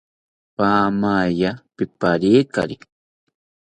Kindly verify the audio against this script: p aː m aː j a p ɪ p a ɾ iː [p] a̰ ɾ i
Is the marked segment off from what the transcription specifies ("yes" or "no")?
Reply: yes